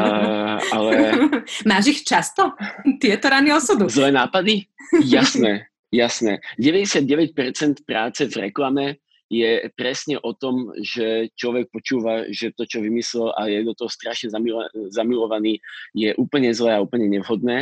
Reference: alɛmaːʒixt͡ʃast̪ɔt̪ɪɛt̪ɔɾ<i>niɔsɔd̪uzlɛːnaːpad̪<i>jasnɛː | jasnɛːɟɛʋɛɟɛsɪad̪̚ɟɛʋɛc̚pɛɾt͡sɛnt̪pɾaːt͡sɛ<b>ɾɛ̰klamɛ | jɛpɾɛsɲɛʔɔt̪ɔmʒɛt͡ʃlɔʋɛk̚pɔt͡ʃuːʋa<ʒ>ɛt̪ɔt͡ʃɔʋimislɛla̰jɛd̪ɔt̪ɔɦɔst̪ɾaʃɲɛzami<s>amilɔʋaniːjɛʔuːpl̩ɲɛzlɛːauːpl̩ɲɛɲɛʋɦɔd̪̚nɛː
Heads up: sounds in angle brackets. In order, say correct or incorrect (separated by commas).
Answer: incorrect, correct, incorrect, correct, incorrect